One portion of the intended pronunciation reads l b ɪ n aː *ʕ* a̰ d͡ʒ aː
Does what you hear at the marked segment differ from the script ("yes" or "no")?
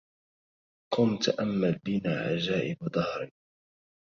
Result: no